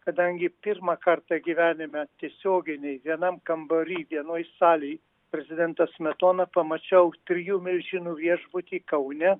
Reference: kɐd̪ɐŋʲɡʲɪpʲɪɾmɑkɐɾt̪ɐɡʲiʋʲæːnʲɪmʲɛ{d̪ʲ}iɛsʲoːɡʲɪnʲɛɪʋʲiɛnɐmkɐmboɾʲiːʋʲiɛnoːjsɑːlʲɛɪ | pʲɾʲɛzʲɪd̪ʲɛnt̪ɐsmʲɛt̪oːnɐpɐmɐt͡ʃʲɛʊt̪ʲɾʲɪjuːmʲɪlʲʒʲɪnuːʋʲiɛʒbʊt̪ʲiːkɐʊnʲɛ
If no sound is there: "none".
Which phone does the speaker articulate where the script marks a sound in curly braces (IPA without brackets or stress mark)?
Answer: t̪ʲ